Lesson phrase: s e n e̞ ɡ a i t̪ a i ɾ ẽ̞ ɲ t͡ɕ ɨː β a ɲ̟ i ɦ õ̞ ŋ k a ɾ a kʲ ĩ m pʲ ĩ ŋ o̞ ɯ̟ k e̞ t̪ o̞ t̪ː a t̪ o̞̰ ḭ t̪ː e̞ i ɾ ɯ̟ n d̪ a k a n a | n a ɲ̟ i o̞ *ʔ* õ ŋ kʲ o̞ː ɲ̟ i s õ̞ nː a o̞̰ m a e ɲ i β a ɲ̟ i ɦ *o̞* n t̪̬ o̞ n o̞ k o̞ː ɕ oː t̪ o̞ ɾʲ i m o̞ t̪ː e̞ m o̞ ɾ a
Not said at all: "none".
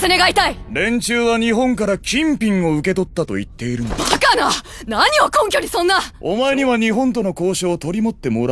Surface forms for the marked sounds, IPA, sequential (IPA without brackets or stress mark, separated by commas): k, õ̞